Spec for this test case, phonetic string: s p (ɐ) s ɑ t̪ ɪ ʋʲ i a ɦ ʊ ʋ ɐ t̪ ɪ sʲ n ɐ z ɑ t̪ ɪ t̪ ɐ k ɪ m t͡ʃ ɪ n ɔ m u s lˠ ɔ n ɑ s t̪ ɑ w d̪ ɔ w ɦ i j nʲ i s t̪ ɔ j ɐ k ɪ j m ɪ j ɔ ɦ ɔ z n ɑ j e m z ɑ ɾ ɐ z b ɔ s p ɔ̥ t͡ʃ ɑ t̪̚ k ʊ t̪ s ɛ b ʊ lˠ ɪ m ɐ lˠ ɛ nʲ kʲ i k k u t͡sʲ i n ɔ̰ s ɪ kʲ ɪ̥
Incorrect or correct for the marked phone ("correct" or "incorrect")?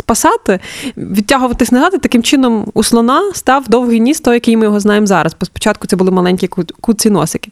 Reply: correct